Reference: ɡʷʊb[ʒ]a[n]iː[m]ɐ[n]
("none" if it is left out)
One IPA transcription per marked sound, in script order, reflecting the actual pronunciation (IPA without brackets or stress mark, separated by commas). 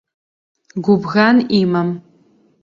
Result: ɣ, n, m, m